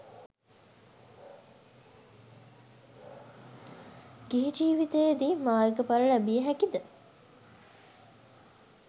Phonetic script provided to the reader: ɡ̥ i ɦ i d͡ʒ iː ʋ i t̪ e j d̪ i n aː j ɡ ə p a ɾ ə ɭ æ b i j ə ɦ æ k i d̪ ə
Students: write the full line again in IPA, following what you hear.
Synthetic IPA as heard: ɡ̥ i ɦ i d͡ʒ iː ʋ i t̪ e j d̪ i m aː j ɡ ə p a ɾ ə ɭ æ b i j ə ɦ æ k i d̪ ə